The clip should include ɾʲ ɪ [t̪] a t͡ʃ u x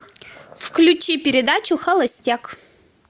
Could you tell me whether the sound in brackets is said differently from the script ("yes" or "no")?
yes